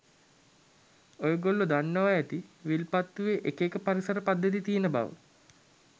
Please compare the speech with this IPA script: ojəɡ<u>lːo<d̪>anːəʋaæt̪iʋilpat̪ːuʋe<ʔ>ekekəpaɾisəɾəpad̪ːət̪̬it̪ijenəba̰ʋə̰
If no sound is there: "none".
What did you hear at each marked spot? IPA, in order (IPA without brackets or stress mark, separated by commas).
o, d̪, ʔ